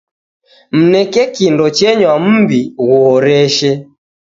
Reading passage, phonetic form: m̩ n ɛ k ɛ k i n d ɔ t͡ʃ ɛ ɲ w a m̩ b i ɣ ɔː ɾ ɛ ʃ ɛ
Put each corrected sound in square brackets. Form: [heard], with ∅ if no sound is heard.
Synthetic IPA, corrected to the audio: m̩ n ɛ k ɛ k i n d ɔ t͡ʃ ɛ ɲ w a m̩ b i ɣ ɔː ɾ ɛ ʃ ɛ